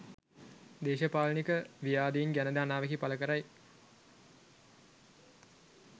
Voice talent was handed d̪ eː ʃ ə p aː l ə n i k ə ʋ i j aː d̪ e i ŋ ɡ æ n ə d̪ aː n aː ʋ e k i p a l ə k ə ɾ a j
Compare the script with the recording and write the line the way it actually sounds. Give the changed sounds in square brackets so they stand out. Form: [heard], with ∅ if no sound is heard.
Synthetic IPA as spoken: d̪ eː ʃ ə p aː l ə n i k ə ʋ i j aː d̪ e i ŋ ɡ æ n ə d̪ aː n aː ʋ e k i p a l ə k ə ɾ a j